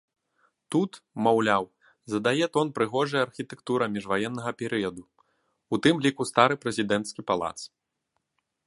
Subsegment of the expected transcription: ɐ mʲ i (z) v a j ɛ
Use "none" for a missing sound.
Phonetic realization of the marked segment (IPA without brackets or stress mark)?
ʐ